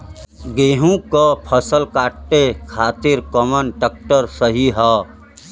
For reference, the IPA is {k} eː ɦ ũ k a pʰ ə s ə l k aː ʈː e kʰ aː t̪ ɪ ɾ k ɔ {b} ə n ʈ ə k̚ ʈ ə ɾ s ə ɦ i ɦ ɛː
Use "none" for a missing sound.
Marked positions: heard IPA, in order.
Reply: ɡ, m

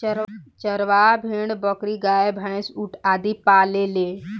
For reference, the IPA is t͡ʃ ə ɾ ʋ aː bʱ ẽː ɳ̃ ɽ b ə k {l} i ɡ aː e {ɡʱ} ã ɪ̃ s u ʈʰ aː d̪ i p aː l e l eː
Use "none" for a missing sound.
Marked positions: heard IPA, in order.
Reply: ɾ, bʱ

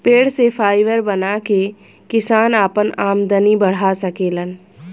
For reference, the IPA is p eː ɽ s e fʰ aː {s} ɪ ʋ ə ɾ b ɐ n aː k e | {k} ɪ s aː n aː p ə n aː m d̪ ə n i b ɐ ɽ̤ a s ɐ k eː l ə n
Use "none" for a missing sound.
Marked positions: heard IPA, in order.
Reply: none, k

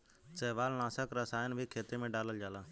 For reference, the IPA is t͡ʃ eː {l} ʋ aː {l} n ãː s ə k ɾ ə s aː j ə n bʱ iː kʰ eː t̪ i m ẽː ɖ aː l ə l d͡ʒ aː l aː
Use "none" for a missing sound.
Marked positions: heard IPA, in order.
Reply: none, l

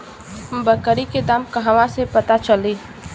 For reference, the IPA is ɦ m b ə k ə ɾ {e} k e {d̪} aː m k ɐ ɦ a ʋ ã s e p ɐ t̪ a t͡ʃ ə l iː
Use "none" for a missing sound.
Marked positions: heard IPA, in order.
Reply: i, d̪

